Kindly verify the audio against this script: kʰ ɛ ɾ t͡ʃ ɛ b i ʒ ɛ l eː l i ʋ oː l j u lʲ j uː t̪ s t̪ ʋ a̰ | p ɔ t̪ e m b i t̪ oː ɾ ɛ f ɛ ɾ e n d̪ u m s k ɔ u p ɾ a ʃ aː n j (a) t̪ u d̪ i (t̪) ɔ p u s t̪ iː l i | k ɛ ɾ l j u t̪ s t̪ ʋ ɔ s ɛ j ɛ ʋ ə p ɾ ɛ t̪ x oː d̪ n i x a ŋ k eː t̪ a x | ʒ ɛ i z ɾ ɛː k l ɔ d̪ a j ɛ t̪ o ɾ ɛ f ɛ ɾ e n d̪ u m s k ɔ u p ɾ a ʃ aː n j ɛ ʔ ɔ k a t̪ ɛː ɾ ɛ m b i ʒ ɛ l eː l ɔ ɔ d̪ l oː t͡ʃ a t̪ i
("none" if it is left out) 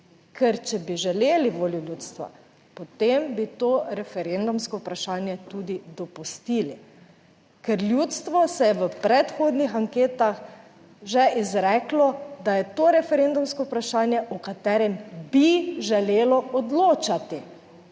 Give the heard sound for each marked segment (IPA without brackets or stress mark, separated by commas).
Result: ɛ, d̪